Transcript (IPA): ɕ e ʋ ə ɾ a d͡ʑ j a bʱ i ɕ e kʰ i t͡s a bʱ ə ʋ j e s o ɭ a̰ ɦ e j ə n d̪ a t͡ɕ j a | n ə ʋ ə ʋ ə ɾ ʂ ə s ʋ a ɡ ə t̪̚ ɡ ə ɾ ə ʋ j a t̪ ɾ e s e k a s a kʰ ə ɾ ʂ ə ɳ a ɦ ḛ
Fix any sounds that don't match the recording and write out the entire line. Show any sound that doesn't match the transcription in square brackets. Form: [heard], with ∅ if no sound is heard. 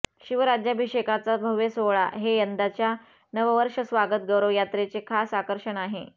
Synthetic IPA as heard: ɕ [i] ʋ ə ɾ a d͡ʑ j a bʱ i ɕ e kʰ [a] t͡s a bʱ ə ʋ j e s o ɭ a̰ ɦ e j ə n d̪ a t͡ɕ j a | n ə ʋ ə ʋ ə ɾ ʂ ə s ʋ a ɡ ə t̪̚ ɡ ə ɾ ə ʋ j a t̪ ɾ e [t͡s] e [kʰ] a s a [k] ə ɾ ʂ ə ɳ a ɦ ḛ